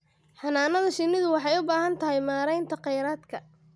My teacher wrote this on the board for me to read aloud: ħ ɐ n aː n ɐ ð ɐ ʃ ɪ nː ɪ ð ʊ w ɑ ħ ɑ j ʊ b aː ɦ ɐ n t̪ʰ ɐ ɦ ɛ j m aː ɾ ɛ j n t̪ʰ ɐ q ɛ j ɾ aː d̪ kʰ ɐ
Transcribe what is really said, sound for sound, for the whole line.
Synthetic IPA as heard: ħ ɑ n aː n ɐ ð ɐ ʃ ɪ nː ɪ ð ʊ w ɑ ħ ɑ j ʊ b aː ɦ ɐ n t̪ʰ ɐ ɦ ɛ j m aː ɾ ɛ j n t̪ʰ ɐ q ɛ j ɾ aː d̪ kʰ ɐ